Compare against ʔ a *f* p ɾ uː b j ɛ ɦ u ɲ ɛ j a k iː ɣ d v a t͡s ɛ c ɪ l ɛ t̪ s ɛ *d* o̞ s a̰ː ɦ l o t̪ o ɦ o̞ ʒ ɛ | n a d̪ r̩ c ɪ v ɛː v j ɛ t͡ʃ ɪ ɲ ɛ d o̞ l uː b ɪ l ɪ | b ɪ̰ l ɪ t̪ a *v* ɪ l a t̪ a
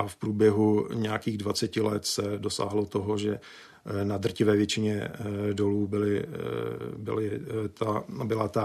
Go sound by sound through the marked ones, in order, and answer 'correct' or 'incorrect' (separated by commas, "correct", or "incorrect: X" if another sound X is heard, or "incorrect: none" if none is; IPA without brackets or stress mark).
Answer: correct, correct, incorrect: b